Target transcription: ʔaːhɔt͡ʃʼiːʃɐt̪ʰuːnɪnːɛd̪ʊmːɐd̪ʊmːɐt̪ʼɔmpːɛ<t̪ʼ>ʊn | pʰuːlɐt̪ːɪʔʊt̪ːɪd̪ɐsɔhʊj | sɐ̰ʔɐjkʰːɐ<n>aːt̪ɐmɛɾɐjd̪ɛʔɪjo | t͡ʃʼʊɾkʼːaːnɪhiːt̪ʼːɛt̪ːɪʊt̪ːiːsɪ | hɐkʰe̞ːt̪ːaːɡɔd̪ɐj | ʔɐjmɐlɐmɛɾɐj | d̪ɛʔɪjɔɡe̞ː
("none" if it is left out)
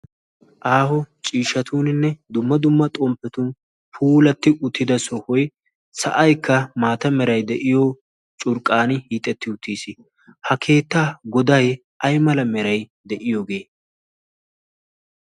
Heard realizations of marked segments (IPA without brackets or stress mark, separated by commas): t̪, m